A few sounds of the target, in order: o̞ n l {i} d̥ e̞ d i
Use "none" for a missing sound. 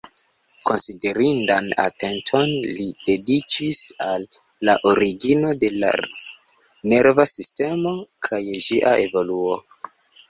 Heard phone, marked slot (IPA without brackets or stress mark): i